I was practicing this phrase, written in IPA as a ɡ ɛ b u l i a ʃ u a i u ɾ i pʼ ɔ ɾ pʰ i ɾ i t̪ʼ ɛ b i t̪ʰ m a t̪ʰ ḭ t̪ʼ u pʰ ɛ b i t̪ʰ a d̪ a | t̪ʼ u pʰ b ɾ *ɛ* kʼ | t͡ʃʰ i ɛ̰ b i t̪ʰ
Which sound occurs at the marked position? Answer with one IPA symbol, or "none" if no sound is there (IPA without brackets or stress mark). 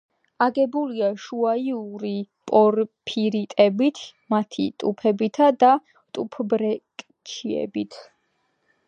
ɛ